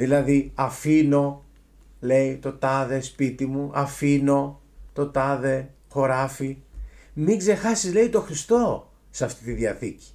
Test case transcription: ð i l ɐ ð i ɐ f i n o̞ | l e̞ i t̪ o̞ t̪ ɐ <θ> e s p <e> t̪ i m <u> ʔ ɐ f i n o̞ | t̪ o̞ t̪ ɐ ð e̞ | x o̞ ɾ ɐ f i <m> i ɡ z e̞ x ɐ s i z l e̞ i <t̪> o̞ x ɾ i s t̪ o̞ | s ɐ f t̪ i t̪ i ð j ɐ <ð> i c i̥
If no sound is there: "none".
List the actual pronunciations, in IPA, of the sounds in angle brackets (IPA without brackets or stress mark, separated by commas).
ð, i, u, m, t̪, θ